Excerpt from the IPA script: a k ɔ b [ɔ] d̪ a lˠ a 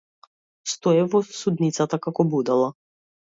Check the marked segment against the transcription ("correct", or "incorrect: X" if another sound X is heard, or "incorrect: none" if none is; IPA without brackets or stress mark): incorrect: u